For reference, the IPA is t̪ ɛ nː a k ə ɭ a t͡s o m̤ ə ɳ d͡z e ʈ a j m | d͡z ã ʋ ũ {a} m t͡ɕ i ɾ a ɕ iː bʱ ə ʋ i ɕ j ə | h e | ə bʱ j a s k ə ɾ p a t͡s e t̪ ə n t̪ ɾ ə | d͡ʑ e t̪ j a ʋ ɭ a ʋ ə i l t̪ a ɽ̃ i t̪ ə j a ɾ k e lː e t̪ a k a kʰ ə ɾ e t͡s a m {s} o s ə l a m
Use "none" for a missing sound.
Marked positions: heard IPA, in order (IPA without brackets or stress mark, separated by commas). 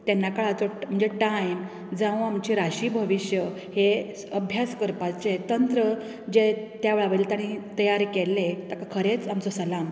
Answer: a, t͡s